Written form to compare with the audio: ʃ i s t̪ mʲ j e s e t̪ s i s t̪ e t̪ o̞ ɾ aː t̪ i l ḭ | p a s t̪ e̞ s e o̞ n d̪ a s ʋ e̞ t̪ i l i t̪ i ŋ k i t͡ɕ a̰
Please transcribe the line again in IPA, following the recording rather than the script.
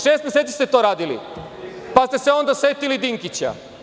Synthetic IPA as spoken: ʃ e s t̪ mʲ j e s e t̪ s i s t̪ e t̪ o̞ ɾ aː d̪ i l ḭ | p a s t̪ e̞ s e o̞ n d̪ a s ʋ e̞ t̪ i l i d̪ i ŋ k i t͡ɕ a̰

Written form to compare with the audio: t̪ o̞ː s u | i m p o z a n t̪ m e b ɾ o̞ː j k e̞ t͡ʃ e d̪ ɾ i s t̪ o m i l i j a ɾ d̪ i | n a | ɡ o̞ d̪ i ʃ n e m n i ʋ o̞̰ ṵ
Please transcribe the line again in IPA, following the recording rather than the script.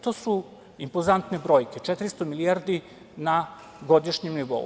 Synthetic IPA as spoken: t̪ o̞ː s u | i m p o z a n t̪ n e b ɾ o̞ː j k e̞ t͡ʃ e t̪ ɾ i s t̪ o m i l i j a ɾ d̪ i | n a | ɡ o̞ d̪ i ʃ ɲ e m n i ʋ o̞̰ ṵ

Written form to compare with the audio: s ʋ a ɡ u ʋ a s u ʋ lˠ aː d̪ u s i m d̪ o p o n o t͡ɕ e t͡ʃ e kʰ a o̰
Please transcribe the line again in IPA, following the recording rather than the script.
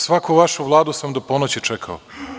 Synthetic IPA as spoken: s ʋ a k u ʋ a ʃ u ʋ lˠ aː d̪ u s a m d̪ o p o n o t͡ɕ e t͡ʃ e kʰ a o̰

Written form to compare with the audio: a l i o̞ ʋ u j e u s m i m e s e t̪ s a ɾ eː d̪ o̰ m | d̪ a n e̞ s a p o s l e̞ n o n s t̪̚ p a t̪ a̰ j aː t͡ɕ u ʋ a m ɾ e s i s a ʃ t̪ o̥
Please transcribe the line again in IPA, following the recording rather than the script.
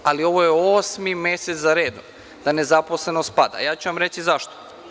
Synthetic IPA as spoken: a l i o̞ ʋ o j e o s m i m e s e t̪ z a ɾ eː d̪ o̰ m | d̪ a n e̞ z a p o s l e̞ n o s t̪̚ p a d̪ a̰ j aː t͡ɕ u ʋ a m ɾ e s i z a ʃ t̪ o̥

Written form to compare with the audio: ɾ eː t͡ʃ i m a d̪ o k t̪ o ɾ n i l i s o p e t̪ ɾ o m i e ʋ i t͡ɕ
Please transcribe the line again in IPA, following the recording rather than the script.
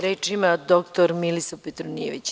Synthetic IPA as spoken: ɾ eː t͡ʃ i m a d̪ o k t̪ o ɾ m i l i s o p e t̪ ɾ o n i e ʋ i t͡ɕ

